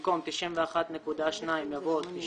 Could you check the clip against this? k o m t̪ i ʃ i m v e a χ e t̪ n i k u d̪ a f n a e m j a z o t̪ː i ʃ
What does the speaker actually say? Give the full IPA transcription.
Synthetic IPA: k o m t̪ i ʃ i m v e a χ a t̪ n e k u d̪ a ʃ n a i m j a v o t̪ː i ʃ

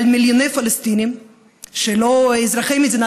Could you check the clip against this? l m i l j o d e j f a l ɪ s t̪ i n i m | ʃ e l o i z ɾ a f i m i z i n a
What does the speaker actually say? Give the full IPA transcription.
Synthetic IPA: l m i l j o n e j f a l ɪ s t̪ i n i m | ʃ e l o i z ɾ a χ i m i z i n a

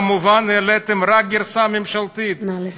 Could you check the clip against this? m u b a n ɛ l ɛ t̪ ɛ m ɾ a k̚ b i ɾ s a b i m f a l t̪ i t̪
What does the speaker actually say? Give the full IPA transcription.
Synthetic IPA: m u v a n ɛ l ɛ t̪ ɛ m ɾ a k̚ ɡ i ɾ s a m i m ʃ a l t̪ i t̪

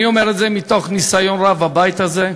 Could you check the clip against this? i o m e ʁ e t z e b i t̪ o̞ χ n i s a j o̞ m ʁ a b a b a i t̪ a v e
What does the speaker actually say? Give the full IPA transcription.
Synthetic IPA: i o m e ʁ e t z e m i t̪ o̞ χ n i s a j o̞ n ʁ a v a b a j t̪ a z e

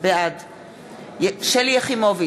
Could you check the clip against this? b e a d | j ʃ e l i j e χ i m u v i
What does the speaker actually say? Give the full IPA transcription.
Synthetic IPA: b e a d | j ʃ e l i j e χ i m o v i

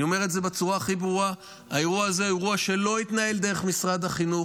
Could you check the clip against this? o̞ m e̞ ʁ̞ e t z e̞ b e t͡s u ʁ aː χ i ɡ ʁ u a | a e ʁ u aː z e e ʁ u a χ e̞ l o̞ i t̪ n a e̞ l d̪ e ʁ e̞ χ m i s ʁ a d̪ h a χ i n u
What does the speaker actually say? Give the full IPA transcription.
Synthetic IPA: o̞ m e̞ ʁ̞ e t z e̞ b e t͡s u ʁ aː χ i b ʁ u a | a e ʁ u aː z e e ʁ u a ʃ e̞ l o̞ i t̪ n a e̞ l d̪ e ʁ e̞ χ m i s ʁ a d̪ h a χ i n u

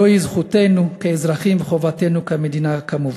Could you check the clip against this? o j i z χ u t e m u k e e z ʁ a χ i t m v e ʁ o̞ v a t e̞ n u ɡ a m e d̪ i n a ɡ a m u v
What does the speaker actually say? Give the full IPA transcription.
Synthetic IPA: o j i z χ u t e n u k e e z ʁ a χ i m v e χ o̞ v a t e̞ n u k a m e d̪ i n a k a m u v

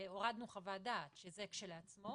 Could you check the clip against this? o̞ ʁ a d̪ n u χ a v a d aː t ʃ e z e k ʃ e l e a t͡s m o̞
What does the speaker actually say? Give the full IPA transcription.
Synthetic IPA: o̞ ʁ a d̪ n u χ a v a d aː t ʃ e z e k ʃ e l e a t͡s m o̞

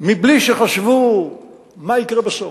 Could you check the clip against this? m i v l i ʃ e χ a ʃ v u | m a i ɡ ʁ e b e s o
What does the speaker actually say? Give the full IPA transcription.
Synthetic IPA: m i b l i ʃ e χ a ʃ v u | m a i k ʁ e b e s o

